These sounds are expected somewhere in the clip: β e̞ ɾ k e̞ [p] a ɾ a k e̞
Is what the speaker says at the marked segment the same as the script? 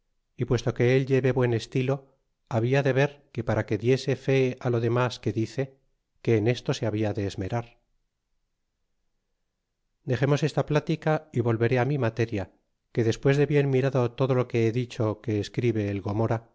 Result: yes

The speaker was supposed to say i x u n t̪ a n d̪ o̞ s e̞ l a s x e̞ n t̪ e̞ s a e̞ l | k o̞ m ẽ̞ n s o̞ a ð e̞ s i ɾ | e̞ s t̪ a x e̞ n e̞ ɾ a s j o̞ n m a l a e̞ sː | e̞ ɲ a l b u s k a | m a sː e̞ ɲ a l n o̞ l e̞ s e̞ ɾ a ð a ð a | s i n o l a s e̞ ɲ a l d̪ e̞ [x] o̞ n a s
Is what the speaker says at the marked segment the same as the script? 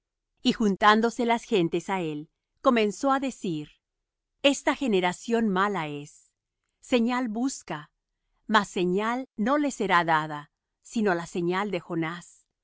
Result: yes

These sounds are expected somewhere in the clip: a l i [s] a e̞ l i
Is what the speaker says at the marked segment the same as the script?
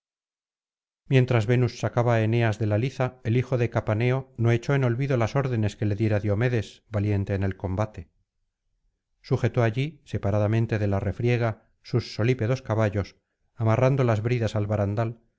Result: no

